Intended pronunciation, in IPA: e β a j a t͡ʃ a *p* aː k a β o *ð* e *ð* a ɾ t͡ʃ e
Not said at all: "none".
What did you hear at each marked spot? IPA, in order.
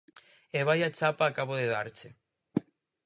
p, ð, ð

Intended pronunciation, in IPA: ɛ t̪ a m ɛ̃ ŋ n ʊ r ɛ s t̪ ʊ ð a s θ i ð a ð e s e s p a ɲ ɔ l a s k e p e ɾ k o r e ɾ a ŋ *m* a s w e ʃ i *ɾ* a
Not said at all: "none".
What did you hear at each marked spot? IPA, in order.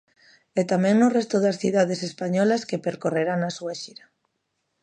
n, ɾ

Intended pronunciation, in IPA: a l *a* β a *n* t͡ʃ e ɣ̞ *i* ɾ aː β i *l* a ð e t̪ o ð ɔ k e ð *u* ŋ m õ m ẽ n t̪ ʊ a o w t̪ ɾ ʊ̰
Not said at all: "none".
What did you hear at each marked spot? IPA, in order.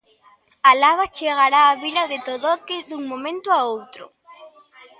a, none, a, l, u

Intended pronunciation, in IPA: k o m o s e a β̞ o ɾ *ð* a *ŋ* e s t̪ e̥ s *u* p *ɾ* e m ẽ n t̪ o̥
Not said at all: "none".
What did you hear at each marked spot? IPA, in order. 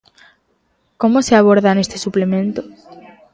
ð, n, u, l

